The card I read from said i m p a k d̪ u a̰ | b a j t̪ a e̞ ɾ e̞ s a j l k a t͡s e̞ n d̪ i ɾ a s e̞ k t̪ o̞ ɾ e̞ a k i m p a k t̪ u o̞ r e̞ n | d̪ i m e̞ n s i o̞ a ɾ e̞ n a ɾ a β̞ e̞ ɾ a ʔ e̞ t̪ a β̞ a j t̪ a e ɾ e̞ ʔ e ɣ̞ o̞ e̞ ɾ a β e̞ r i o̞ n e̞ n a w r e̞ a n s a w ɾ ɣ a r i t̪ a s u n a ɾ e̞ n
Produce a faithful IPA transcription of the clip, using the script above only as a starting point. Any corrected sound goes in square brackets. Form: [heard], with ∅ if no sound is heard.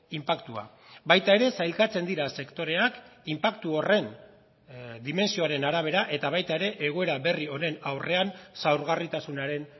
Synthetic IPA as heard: i m p a k [t̪] u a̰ | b a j t̪ a e̞ ɾ e̞ s a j l k a t͡s e̞ n d̪ i ɾ a s e̞ k t̪ o̞ ɾ e̞ a k i m p a k t̪ u o̞ r e̞ n | d̪ i m e̞ n s i o̞ a ɾ e̞ n a ɾ a β̞ e̞ ɾ a ʔ e̞ t̪ a β̞ a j t̪ a e ɾ e̞ ʔ e ɣ̞ o̞ e̞ ɾ a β e̞ r i o̞ n e̞ n a w r e̞ a n s a w ɾ ɣ a r i t̪ a s u n a ɾ e̞ n